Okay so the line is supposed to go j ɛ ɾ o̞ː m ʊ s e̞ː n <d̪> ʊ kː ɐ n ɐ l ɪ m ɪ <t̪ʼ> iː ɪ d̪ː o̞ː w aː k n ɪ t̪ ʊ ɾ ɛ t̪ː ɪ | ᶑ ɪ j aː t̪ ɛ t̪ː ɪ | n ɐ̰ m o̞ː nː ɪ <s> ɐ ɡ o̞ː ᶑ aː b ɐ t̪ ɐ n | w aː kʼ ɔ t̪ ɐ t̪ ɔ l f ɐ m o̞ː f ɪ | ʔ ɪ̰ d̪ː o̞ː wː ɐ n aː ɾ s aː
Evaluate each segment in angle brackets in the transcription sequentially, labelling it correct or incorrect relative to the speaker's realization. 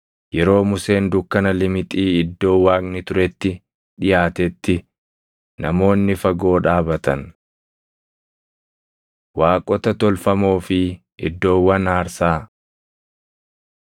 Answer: correct, correct, incorrect: f

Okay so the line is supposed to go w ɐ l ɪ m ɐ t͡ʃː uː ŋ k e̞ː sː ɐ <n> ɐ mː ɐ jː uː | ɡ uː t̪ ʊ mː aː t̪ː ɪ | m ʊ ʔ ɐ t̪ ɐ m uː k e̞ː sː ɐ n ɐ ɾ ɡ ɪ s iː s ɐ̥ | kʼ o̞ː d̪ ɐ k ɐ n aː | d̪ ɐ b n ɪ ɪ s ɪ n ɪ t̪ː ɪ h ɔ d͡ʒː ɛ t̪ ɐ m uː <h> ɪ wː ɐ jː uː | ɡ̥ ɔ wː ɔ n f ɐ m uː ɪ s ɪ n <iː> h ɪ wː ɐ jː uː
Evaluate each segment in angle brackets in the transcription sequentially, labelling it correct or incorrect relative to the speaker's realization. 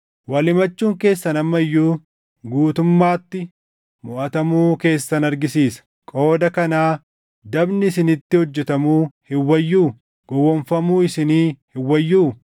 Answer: correct, correct, correct

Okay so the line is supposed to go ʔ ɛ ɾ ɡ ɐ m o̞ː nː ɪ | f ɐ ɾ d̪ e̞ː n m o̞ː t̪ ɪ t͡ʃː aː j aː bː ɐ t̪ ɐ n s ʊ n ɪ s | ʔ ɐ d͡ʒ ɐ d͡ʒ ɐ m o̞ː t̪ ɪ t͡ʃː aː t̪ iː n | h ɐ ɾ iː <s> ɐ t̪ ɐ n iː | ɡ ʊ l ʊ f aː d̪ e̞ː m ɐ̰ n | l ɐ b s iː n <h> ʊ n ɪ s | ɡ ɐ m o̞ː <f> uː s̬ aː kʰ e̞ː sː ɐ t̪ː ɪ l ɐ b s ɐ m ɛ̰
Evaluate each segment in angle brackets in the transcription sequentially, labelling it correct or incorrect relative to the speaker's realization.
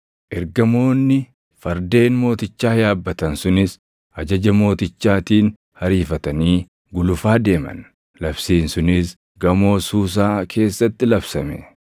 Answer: incorrect: f, incorrect: s, incorrect: s

